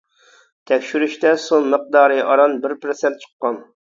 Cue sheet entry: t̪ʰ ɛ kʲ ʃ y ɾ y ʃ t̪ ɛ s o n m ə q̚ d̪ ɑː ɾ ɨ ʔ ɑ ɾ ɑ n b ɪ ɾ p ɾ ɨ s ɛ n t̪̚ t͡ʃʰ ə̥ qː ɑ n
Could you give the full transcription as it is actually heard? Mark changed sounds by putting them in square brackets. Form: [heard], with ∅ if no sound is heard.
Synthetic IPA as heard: t̪ʰ ɛ kʲ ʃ y ɾ y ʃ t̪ ɛ s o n m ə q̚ d̪ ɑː ɾ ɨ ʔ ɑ ɾ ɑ n b ɪ ɾ p ɾ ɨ s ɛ n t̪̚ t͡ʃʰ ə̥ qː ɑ n